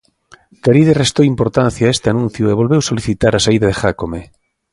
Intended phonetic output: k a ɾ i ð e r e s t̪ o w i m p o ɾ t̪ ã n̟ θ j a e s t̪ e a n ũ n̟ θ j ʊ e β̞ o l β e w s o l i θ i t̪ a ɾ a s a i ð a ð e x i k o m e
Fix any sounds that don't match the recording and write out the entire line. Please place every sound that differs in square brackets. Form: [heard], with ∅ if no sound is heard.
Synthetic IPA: k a ɾ i ð e r e s t̪ o w i m p o ɾ t̪ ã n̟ θ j a e s t̪ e a n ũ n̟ θ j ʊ e β̞ o l β e w s o l i θ i t̪ a ɾ a s a i ð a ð e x [a] k o m e